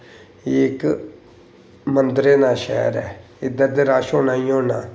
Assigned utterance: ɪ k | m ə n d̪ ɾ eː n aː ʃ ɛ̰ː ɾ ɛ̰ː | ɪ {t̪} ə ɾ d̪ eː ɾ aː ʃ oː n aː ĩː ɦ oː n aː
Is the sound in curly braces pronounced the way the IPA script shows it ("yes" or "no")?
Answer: no